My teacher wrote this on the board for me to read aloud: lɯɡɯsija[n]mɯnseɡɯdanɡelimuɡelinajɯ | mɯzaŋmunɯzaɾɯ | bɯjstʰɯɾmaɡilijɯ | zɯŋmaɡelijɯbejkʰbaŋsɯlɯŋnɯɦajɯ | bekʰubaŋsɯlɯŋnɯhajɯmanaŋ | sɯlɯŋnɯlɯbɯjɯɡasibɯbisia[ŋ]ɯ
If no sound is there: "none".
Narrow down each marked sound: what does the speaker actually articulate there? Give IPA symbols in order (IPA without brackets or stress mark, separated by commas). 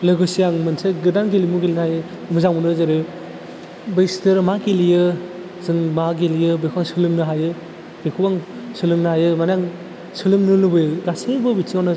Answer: ŋ, n